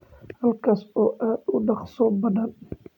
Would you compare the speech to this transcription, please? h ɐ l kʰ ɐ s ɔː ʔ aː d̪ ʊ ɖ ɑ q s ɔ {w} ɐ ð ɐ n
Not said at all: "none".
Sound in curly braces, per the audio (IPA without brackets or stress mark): b